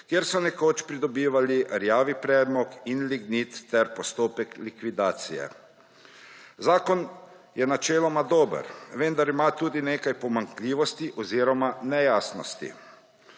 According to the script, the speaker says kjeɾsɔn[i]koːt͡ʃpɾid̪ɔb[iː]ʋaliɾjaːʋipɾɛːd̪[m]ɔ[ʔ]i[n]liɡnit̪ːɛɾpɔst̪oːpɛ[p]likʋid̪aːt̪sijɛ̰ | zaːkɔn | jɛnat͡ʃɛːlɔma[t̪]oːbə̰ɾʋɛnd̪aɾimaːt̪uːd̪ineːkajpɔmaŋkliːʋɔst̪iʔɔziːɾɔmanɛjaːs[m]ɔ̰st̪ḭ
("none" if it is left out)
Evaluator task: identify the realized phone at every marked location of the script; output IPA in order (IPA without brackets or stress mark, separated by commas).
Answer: ɛ, iː, m, k, n, k, d̪, n